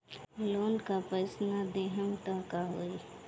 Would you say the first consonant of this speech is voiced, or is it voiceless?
voiced